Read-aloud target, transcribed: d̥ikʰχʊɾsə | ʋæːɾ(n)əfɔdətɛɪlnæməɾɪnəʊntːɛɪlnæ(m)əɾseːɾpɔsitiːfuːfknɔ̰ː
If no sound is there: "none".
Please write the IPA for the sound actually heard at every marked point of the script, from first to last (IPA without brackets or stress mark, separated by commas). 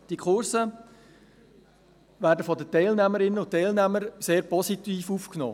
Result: d, m